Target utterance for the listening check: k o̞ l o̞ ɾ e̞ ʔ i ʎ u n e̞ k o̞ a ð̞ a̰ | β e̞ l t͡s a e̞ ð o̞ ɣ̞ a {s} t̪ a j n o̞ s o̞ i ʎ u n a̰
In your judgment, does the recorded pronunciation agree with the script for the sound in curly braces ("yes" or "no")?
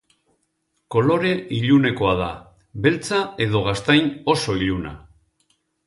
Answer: yes